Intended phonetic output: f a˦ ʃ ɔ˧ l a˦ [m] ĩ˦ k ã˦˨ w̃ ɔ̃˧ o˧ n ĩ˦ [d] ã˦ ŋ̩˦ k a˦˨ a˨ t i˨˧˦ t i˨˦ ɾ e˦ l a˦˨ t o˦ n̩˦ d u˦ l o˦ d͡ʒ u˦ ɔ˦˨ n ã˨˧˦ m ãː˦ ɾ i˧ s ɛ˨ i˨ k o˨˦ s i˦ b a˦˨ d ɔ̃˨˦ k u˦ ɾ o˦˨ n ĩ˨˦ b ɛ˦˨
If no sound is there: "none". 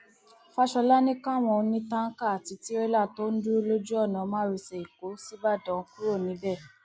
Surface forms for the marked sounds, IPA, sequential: n, t

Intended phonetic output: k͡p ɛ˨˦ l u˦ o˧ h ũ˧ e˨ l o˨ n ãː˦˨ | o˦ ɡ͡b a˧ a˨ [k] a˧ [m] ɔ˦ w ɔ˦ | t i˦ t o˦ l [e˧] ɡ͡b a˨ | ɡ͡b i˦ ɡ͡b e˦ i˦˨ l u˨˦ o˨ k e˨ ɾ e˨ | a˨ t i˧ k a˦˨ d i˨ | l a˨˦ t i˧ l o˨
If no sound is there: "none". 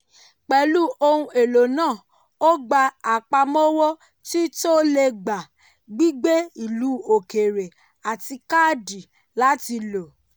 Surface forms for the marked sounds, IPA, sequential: k͡p, m, e˧

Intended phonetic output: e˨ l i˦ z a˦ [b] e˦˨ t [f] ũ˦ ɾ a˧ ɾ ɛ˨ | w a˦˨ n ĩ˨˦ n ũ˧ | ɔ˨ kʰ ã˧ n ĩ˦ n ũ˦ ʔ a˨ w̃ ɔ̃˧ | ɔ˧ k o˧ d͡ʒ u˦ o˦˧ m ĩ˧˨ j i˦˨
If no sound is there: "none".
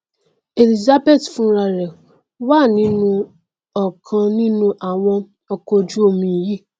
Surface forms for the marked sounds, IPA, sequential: b, f

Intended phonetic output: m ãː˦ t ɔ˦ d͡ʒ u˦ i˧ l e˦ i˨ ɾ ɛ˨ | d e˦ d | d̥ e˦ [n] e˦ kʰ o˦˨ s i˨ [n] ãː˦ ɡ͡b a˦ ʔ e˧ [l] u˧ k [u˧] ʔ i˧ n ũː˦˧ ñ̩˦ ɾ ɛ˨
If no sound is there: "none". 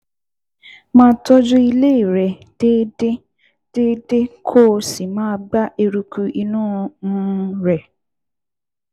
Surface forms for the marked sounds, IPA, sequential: d, m, ɾ, u˧

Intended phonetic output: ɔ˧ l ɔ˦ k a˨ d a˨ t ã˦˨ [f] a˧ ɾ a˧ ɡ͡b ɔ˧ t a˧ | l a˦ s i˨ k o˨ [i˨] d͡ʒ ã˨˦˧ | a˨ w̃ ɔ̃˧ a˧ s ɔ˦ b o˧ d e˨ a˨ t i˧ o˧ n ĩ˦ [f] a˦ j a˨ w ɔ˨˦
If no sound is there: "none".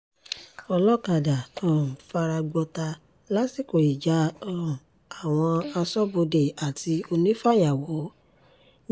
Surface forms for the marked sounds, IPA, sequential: f, i˨, f

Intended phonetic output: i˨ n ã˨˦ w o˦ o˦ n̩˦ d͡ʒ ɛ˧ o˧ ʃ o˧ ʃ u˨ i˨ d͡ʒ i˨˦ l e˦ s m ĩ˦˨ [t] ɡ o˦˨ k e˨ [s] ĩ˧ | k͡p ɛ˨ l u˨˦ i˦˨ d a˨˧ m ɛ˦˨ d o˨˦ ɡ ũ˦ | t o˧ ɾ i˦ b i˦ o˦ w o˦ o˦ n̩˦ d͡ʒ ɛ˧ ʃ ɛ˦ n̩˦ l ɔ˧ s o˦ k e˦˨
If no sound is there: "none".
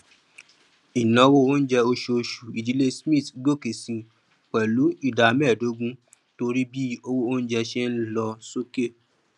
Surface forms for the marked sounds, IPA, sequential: t, s

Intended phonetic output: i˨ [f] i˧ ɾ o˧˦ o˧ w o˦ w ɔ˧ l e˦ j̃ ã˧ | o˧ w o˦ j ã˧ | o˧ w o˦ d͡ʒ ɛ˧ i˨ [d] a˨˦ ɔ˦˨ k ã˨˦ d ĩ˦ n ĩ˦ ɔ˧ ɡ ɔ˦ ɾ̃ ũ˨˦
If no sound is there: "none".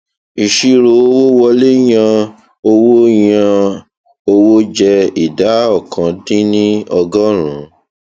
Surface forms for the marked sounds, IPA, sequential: ʃ, d

